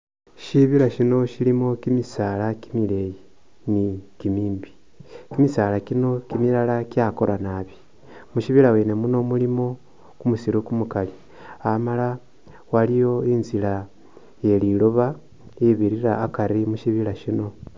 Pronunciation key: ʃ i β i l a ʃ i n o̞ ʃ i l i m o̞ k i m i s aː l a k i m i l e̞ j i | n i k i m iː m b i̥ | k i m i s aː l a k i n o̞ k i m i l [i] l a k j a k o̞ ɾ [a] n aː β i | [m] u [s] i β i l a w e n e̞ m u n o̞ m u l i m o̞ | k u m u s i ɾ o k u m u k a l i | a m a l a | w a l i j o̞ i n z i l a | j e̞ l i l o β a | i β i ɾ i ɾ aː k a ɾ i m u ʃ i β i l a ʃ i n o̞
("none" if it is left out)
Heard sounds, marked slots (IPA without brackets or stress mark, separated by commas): a, a, m, ʃ